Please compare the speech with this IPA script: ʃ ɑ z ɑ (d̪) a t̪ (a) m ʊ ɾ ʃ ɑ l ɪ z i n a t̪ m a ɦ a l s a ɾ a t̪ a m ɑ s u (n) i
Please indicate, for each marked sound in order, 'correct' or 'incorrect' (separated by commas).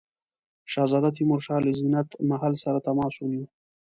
correct, incorrect, correct